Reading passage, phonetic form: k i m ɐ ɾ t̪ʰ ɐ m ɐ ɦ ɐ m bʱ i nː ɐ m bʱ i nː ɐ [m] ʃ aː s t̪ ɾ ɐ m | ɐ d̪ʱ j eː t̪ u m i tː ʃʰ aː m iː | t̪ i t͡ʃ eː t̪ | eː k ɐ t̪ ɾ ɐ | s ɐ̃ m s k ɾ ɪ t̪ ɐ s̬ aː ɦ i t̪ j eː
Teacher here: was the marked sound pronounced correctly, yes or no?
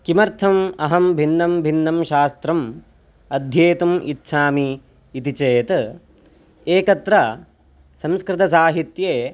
yes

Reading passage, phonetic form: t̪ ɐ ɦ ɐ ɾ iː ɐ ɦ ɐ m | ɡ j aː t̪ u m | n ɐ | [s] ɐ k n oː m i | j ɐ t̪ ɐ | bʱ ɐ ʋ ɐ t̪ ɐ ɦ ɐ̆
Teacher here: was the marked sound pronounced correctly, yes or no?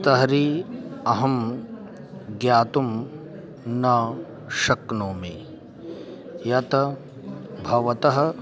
no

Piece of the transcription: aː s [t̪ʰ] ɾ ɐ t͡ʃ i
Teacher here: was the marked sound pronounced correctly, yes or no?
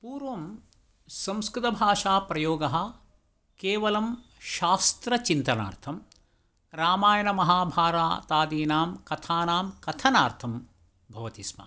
no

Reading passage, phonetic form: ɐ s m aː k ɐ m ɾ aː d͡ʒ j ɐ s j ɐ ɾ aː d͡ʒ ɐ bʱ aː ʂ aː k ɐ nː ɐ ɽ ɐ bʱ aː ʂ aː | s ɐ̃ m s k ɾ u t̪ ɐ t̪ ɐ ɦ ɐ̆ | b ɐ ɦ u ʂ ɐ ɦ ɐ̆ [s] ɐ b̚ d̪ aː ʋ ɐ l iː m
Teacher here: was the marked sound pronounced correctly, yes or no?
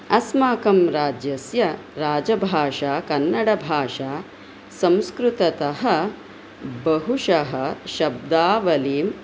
no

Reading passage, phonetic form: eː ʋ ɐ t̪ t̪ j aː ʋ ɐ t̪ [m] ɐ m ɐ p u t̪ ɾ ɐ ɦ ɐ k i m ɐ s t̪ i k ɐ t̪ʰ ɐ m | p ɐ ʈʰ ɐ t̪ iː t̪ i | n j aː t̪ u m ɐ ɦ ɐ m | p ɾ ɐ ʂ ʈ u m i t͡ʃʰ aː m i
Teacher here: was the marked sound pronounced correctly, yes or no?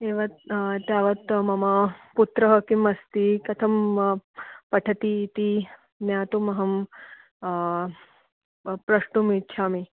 yes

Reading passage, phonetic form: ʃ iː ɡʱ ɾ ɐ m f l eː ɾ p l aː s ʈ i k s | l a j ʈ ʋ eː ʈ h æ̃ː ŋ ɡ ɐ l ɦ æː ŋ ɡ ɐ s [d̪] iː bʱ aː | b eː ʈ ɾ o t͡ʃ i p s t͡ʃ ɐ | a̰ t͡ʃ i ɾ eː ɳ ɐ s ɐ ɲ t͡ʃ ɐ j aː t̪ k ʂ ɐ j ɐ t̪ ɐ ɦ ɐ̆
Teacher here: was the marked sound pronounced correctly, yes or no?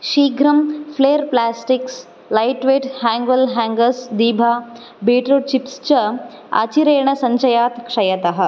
yes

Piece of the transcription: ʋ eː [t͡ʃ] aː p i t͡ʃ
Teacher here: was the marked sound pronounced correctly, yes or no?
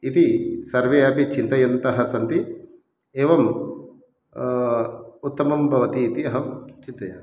no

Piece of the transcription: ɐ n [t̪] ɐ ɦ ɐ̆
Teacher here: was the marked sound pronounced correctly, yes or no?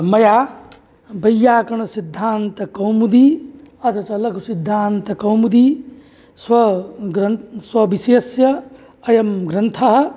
no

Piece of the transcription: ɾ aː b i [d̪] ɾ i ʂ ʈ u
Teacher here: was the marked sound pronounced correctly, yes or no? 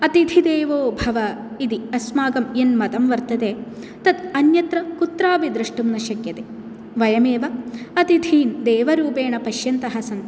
yes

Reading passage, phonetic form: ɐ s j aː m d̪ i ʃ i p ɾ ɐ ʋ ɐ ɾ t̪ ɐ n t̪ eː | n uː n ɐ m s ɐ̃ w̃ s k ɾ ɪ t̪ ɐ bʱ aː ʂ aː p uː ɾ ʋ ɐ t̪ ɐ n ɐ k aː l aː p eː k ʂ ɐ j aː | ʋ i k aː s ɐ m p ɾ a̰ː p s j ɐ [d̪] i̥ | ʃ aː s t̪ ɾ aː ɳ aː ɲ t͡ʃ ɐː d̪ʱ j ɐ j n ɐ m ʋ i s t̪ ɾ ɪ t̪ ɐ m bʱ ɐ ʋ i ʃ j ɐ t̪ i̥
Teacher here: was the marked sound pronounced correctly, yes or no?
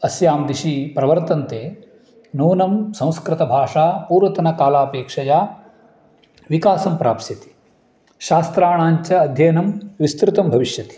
no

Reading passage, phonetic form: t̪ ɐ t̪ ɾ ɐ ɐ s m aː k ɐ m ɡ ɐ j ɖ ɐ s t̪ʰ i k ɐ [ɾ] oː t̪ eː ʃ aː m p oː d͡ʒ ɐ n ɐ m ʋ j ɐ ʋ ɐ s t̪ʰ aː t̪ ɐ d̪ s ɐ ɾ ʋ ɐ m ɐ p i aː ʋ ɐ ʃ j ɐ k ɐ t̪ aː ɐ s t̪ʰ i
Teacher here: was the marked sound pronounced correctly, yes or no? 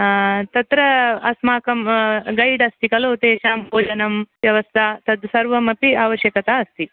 no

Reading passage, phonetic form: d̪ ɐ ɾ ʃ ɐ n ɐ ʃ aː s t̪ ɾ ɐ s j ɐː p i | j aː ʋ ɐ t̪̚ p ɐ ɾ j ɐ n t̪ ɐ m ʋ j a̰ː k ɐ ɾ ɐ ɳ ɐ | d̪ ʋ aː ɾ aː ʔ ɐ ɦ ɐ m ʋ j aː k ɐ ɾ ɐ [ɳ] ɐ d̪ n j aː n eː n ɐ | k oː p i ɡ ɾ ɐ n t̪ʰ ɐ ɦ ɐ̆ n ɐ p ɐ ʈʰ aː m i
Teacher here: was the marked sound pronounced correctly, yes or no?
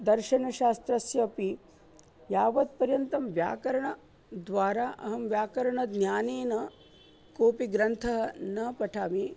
yes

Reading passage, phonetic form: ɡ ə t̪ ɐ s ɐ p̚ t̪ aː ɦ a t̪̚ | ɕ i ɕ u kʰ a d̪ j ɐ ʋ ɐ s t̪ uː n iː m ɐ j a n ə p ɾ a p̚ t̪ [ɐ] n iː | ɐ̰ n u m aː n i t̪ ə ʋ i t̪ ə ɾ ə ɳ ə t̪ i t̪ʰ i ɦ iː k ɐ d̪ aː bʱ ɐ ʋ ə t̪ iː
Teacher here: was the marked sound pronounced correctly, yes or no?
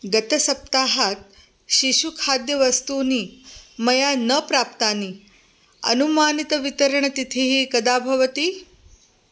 no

